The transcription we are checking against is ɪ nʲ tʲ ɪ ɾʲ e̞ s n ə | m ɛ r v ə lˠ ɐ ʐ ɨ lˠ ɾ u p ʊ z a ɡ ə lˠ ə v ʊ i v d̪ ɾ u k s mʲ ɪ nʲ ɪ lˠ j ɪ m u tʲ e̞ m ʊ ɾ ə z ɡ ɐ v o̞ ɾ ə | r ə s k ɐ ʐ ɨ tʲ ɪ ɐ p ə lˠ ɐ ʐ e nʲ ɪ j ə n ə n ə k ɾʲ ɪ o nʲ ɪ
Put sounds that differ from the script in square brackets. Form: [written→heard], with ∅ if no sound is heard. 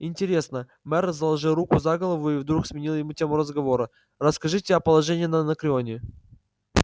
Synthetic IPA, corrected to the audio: ɪ nʲ tʲ ɪ ɾʲ e̞ s n ə | m ɛ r [v→z] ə lˠ ɐ ʐ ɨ lˠ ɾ u [p→k] ʊ z a ɡ ə lˠ ə v ʊ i v d̪ ɾ u k s mʲ ɪ nʲ [ɪ→i] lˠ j ɪ m u tʲ e̞ m ʊ ɾ ə z ɡ ɐ v o̞ ɾ ə | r ə s k ɐ ʐ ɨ tʲ ɪ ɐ p ə lˠ ɐ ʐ [e→ɛ] nʲ ɪ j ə n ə n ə k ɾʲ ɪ o nʲ ɪ